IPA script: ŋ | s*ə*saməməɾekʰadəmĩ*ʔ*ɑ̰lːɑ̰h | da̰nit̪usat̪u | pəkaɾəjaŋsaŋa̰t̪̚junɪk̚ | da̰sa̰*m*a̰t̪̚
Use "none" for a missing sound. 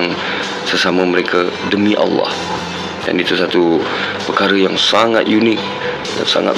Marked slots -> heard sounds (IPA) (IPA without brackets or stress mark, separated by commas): ə, ʔ, ŋ